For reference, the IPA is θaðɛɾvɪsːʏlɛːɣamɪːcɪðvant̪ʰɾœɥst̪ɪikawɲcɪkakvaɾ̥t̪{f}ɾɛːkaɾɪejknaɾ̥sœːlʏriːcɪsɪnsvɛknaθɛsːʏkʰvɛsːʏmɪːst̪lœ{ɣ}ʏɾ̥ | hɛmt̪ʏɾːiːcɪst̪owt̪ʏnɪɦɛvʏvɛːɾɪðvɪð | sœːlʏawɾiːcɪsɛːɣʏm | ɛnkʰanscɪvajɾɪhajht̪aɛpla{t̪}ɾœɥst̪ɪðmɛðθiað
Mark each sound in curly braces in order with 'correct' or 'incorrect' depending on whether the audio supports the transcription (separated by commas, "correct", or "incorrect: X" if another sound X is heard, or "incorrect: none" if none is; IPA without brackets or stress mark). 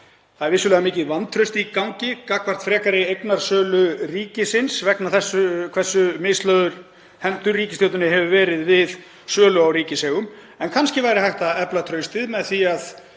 correct, incorrect: ð, incorrect: t̪ʰ